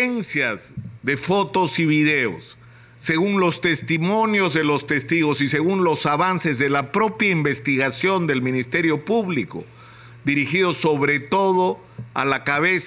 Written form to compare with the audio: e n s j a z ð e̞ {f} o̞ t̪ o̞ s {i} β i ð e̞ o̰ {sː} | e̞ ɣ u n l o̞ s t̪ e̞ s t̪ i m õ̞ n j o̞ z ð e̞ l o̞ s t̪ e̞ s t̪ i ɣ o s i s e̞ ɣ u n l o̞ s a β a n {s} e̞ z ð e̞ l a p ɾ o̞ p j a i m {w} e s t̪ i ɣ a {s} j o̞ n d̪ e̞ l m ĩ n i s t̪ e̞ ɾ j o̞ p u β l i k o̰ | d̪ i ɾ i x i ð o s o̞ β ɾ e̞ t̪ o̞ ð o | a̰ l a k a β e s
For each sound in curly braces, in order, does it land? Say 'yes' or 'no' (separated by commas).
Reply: yes, yes, yes, yes, no, yes